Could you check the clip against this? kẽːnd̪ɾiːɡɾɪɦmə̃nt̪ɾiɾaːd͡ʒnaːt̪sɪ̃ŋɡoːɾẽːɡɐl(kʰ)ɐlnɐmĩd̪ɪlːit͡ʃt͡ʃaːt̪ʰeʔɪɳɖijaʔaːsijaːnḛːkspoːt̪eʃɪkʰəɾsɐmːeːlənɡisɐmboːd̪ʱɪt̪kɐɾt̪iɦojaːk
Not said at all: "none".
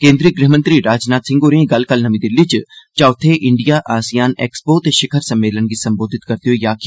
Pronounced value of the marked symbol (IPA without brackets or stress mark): k